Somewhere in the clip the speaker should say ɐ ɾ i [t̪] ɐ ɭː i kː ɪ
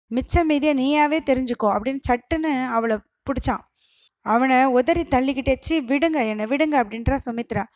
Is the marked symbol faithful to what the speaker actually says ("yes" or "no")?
yes